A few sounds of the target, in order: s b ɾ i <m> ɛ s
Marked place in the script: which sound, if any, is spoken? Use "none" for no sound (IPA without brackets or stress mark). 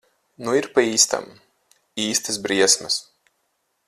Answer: none